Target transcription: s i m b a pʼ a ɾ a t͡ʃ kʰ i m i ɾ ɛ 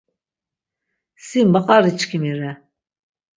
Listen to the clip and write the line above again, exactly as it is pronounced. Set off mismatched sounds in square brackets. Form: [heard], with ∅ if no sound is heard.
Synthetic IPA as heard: s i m b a [qʼ] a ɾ [i] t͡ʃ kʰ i m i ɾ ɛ